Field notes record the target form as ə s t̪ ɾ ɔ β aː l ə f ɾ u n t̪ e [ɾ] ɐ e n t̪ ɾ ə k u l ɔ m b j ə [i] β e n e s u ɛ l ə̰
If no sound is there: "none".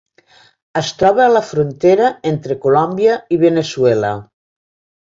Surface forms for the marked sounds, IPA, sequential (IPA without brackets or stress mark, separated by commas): ɾ, i